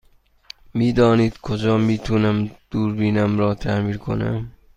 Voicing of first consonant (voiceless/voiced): voiced